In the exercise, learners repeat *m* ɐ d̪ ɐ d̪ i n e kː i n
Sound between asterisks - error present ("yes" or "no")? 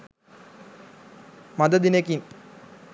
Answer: no